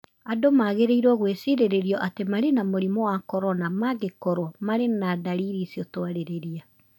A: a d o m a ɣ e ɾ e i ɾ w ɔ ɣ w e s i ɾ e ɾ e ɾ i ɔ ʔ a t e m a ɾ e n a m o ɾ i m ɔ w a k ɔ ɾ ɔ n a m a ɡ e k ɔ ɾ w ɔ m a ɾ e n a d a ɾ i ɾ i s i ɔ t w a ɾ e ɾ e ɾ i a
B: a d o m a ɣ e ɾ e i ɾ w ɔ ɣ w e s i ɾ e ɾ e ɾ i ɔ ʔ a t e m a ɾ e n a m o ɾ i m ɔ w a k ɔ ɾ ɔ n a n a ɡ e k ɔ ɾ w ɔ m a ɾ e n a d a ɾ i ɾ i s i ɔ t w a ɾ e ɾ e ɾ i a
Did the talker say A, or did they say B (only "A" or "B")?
A